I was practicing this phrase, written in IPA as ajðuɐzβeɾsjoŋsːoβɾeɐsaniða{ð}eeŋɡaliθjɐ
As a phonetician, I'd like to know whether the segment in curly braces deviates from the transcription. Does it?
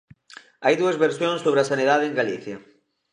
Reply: no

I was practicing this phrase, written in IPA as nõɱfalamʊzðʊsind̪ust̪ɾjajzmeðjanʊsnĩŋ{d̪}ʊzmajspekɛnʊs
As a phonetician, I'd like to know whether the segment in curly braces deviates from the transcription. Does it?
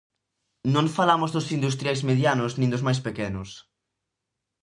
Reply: no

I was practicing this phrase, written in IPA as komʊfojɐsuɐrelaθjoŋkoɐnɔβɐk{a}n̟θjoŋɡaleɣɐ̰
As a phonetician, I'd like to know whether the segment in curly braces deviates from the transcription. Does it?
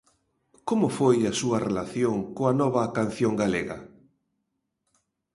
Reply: no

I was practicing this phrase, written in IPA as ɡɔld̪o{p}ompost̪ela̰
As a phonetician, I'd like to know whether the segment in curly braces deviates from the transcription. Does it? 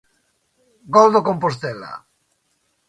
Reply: yes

